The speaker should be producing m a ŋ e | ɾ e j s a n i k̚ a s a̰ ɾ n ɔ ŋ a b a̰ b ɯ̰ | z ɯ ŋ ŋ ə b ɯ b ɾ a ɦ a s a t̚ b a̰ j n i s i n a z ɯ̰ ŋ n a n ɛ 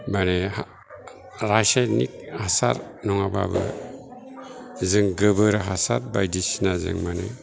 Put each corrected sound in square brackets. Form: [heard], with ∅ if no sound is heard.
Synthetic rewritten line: m a [n] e | ɾ [a] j s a n i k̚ a s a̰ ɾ n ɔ ŋ a b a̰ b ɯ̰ | z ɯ ŋ [ɡ] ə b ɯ [∅] ɾ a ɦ a s a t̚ b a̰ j [d] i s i n a z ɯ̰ ŋ [m] a n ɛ